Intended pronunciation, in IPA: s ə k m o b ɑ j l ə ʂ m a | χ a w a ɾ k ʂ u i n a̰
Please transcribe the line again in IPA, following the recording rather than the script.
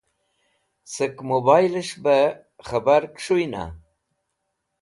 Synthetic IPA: s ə k m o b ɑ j l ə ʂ b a | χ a b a ɾ k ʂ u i n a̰